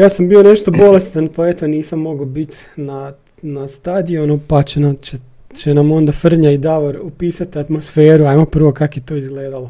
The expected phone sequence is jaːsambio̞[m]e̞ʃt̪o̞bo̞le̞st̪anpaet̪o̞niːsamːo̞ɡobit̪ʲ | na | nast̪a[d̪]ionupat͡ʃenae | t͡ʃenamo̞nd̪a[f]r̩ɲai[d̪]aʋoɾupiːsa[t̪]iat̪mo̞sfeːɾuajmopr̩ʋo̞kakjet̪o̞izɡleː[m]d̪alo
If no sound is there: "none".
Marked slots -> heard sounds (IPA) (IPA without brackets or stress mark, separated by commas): n, d̪, f, d̪, t̪, none